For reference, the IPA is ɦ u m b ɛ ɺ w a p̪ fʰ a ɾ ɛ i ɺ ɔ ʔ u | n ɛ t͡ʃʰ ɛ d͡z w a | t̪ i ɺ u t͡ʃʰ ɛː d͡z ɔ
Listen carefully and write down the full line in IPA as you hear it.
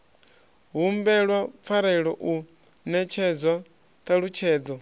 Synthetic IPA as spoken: ɦ u m b ɛ ɺ w a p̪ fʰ a ɾ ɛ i ɺ ɔ ʔ u | n ɛ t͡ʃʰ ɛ d͡z w a | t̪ a ɺ u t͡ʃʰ ɛː d͡z ɔ